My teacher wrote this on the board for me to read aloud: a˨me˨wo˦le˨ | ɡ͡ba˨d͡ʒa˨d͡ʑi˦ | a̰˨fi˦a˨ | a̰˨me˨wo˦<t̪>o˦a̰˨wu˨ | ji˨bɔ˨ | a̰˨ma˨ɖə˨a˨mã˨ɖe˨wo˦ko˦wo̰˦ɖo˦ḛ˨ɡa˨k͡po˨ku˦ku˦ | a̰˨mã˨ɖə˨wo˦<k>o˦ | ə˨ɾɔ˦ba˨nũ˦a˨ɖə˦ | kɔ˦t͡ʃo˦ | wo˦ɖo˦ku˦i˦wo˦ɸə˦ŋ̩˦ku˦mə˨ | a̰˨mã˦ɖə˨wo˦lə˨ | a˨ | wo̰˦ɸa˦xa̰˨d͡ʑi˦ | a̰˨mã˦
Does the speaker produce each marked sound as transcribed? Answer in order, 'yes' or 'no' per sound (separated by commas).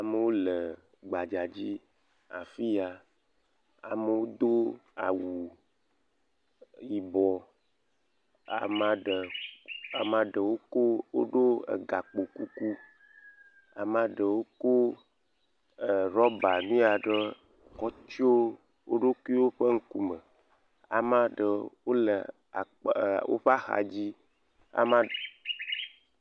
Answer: no, yes